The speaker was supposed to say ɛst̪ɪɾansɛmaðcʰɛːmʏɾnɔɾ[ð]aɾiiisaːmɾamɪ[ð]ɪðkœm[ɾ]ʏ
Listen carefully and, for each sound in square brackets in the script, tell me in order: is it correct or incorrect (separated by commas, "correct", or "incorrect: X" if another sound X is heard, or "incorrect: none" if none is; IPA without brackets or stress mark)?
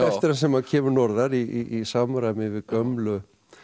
correct, incorrect: v, incorrect: l